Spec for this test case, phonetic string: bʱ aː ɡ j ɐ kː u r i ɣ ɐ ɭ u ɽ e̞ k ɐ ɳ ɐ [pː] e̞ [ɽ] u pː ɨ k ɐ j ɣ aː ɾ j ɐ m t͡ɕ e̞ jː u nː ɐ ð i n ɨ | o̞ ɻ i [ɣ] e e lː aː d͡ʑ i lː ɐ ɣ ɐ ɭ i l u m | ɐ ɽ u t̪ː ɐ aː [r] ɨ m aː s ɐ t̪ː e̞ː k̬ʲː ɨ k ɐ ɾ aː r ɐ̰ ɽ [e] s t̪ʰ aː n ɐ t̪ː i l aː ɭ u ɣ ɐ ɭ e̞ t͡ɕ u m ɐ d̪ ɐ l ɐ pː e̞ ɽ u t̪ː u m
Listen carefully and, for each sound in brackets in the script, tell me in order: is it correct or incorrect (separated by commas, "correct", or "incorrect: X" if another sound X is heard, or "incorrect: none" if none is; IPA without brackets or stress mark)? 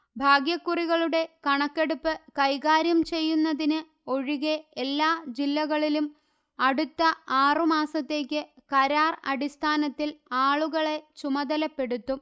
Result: incorrect: kː, correct, correct, correct, incorrect: i